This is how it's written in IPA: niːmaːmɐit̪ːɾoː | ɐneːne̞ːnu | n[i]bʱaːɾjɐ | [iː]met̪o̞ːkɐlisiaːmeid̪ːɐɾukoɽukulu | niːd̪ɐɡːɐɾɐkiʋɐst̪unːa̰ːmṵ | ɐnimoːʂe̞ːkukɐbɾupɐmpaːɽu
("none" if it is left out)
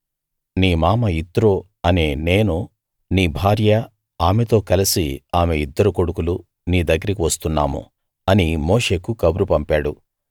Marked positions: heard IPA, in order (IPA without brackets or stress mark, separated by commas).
iː, aː